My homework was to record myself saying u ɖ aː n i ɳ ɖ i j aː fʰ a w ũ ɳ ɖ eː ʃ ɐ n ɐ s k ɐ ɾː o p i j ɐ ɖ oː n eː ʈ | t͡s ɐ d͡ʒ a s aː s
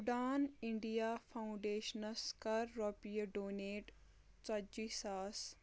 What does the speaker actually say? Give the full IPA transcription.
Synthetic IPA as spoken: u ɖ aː n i ɳ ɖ i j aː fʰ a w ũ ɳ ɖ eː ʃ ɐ n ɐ s k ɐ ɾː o p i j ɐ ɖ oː n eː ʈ | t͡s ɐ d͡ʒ i s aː s